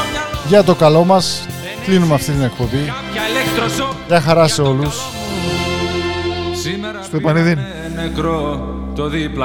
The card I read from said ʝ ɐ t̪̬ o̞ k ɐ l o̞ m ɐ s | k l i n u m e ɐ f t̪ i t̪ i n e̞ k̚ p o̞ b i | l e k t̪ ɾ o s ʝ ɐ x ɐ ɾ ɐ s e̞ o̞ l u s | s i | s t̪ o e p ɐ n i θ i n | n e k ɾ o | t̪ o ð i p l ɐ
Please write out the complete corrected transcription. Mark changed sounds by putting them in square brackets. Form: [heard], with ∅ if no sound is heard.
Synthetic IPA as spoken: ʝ ɐ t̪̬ o̞ k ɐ l o̞ m ɐ s | k l i n u m e ɐ f t̪ i t̪ i n e̞ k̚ p o̞ b i | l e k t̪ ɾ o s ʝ ɐ x ɐ ɾ ɐ s e̞ o̞ l u s | s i | s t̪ o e p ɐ n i [ð] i n | n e k ɾ o | t̪ o ð i p l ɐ